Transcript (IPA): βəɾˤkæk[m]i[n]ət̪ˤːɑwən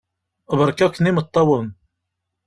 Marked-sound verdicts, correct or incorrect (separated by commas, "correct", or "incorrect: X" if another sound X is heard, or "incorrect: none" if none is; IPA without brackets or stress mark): incorrect: n, incorrect: m